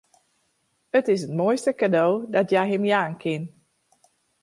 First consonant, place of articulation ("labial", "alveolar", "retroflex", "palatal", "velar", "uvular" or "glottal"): alveolar